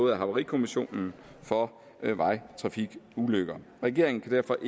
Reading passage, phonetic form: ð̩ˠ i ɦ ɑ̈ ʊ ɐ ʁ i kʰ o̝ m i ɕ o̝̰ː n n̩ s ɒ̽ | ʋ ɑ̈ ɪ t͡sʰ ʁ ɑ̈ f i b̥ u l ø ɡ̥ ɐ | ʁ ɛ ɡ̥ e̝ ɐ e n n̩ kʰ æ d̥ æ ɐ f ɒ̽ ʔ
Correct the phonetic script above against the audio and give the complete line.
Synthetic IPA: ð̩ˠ æ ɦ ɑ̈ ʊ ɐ ʁ i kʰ o̝ m i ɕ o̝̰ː n n̩ f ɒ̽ | ʋ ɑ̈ ɪ t͡sʰ ʁ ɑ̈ f i ɡ̥ u l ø ɡ̥ ɐ | ʁ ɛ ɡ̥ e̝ ɐ e ŋ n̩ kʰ æ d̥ æ ɐ f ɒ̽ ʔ